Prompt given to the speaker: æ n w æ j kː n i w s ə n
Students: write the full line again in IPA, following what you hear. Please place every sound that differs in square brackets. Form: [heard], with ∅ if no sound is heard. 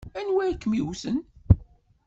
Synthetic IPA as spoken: æ n w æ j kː [m] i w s ə n